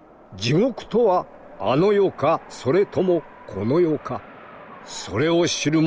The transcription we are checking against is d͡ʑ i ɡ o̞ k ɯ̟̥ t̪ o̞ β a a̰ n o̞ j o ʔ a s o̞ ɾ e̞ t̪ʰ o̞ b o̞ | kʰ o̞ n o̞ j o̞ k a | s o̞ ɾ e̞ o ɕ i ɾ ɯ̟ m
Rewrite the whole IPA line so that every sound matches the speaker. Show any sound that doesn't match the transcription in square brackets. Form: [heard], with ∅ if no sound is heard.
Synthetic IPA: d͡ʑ i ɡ o̞ k ɯ̟̥ t̪ o̞ β a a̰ n o̞ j o [k] a s o̞ ɾ e̞ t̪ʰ o̞ [m] o̞ | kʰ o̞ n o̞ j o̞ k a | s o̞ ɾ e̞ o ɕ i ɾ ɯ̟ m